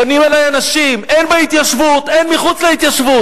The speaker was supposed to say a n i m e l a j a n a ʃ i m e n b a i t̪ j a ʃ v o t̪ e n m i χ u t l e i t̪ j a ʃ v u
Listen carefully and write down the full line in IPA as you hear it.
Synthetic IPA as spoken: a n i m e l a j a n a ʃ i m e n b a i t̪ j a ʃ v u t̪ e n m i χ u t͡s l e i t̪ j a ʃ v u